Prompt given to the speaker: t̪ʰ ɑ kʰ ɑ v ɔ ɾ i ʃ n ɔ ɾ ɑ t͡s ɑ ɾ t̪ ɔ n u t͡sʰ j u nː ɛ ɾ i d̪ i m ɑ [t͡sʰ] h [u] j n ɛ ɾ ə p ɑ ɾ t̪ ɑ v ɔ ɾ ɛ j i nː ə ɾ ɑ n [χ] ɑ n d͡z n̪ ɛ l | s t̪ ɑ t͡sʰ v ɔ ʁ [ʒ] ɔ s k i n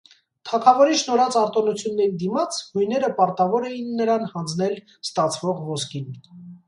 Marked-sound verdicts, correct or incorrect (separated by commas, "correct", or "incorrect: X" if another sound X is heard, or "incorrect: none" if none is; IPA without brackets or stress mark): correct, correct, incorrect: h, incorrect: v